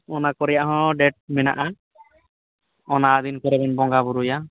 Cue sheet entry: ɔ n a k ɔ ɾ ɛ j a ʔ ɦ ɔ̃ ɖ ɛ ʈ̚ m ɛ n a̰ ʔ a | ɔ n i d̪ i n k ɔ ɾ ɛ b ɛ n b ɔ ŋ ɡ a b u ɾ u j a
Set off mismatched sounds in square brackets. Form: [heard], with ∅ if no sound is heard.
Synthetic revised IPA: ɔ n a k ɔ ɾ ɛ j a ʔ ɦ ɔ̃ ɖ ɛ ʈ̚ m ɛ n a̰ ʔ a | ɔ n [a] d̪ i n k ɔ ɾ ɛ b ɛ n b ɔ ŋ ɡ a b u ɾ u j a

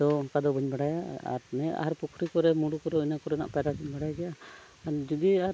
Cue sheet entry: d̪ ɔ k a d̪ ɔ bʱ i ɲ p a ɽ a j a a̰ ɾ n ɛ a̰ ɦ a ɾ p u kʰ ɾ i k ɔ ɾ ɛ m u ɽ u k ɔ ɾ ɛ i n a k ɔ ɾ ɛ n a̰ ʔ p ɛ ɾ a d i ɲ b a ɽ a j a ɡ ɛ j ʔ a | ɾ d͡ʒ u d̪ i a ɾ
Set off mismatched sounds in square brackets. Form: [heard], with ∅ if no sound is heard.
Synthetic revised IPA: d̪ ɔ k a d̪ ɔ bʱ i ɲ [b] a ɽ a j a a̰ ɾ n ɛ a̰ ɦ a ɾ p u kʰ ɾ i k ɔ ɾ ɛ m u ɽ u k ɔ ɾ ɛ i n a k ɔ ɾ ɛ n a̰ ʔ p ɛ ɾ a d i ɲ b a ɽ a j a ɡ ɛ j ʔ a | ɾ d͡ʒ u d̪ i a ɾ

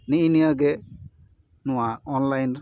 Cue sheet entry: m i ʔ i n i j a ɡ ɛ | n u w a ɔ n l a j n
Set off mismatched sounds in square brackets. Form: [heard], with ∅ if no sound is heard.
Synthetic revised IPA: [n] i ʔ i n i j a ɡ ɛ | n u w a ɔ n l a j n

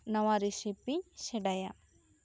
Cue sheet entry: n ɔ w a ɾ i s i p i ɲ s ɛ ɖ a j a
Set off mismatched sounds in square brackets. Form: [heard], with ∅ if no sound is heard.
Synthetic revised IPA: n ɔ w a ɾ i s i p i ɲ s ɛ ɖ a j a

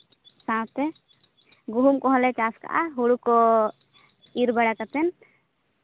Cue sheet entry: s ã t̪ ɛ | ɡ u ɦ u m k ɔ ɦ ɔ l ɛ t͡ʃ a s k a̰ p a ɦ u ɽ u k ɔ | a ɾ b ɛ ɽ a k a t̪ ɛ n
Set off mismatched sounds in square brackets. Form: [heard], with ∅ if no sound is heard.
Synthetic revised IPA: s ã t̪ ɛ | ɡ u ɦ u m k ɔ ɦ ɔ l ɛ t͡ʃ a s k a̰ [ʔ] a ɦ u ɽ u k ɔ | [i] ɾ b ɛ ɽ a k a t̪ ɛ n

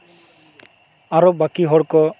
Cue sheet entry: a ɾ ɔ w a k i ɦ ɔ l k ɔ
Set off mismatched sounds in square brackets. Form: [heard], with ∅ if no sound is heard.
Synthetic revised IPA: a ɾ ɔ [b] a k i ɦ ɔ [ɽ] k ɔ

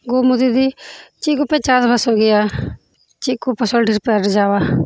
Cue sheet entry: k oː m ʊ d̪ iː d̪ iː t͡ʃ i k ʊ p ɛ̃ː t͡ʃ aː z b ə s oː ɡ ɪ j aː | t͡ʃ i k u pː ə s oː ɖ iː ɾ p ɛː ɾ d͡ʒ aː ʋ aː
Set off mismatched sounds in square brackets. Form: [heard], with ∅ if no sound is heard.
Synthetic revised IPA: [ɡ] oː m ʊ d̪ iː d̪ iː t͡ʃ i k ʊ p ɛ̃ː t͡ʃ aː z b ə s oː ɡ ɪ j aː | t͡ʃ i k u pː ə s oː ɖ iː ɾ p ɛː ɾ d͡ʒ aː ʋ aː

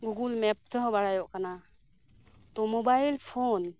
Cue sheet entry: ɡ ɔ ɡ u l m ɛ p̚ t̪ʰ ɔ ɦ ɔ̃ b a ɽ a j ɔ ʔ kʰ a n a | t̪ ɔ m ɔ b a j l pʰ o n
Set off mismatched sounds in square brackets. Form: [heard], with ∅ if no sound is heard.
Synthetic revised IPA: ɡ [u] ɡ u l m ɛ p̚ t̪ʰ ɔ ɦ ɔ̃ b a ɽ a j ɔ ʔ [k] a n a | t̪ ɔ m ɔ b a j l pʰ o n

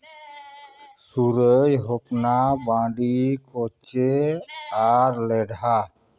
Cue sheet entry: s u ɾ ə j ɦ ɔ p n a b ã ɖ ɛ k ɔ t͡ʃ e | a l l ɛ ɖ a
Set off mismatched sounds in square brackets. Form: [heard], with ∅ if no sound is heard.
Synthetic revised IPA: s u ɾ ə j ɦ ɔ p n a b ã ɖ [i] k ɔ t͡ʃ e | a [ɾ] l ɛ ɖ a

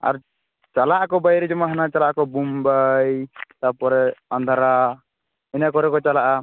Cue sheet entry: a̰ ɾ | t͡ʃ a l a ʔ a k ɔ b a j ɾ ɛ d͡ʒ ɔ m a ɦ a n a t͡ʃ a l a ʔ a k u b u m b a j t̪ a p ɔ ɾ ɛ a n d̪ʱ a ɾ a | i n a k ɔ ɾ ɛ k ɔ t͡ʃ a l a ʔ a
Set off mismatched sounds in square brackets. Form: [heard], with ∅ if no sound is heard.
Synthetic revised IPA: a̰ ɾ | t͡ʃ a l a ʔ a k ɔ b a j ɾ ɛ d͡ʒ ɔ m a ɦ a n a t͡ʃ a l a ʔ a k [ɔ] b u m b a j t̪ a p ɔ ɾ ɛ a n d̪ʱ a ɾ a | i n a k ɔ ɾ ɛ k ɔ t͡ʃ a l a ʔ a

